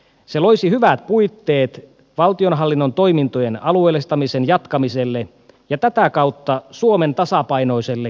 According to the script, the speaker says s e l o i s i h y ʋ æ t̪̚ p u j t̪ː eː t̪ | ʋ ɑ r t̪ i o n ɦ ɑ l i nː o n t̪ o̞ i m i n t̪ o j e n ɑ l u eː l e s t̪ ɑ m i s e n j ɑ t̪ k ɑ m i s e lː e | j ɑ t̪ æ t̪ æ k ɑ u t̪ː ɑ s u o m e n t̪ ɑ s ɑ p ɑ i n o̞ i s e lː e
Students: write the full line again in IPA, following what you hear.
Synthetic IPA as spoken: s e l o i s i h y ʋ æ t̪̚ p u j t̪ː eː t̪ | ʋ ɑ l t̪ i o n ɦ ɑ lː i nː o n t̪ o̞ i m i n t̪ o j e n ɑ l u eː l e s t̪ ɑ m i s e n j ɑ t̪ k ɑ m i s e lː e | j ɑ t̪ æ t̪ æ k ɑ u t̪ː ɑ s u o m e n t̪ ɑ s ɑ p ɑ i n o̞ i s e lː e